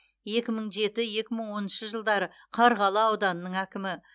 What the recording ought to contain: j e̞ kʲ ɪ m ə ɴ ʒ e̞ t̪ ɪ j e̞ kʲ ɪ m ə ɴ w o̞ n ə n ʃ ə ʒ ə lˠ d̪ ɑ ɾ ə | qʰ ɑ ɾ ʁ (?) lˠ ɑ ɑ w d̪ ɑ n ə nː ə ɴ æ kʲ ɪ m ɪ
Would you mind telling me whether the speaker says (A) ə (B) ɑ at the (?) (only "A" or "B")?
B